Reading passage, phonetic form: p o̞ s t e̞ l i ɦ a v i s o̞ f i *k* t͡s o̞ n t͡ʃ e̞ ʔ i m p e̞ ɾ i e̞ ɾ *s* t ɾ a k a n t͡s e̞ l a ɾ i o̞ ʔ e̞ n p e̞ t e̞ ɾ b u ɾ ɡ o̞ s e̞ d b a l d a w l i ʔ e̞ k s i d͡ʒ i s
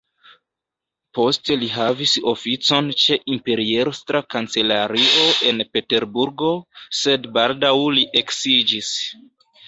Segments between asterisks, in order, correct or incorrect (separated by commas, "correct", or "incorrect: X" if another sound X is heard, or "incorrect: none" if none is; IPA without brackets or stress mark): incorrect: none, correct